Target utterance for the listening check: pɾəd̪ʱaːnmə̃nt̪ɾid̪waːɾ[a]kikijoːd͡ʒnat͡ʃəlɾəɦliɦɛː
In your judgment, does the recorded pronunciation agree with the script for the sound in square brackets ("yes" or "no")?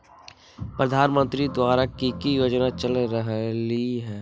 yes